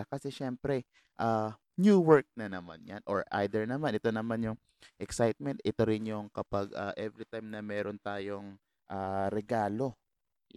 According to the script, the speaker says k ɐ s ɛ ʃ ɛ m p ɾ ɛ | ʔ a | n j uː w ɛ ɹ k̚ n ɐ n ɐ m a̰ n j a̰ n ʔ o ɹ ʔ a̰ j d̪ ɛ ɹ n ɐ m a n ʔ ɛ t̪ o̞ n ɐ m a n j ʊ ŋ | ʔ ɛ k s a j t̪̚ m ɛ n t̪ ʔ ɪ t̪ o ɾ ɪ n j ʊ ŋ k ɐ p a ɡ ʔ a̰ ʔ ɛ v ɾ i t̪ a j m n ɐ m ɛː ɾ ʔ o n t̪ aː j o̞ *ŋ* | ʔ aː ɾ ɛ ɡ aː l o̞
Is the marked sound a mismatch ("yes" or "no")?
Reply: no